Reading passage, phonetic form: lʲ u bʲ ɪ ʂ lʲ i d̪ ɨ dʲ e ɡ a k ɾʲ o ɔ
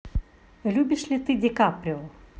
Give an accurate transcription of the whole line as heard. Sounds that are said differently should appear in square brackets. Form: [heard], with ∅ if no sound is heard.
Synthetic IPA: lʲ u bʲ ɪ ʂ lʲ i [t̪] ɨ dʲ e [k] a [p] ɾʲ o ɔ